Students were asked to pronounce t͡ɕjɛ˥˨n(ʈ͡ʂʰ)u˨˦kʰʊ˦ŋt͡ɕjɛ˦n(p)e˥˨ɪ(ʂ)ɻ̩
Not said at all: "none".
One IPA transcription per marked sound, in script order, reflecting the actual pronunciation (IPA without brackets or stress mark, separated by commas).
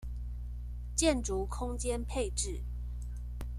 ʈ͡ʂ, pʰ, ʈ͡ʂ